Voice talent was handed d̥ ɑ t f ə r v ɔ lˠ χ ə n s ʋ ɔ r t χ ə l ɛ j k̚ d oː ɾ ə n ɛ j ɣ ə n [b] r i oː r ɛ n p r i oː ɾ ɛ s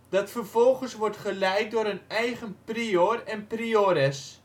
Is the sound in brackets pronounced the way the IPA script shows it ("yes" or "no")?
no